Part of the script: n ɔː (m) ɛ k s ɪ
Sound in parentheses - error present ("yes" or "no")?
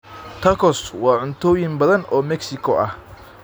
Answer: no